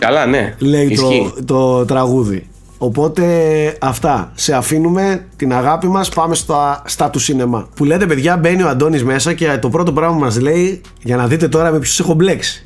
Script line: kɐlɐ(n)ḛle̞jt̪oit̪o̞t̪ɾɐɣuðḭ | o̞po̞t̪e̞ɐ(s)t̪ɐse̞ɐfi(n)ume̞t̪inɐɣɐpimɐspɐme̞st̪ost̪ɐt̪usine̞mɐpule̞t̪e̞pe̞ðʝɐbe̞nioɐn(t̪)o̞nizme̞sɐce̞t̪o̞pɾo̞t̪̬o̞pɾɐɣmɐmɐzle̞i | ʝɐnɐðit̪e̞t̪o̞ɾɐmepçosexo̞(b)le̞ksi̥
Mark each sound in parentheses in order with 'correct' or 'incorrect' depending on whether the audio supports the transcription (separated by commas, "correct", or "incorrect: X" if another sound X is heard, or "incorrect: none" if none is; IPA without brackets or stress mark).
correct, incorrect: f, correct, incorrect: d̪, correct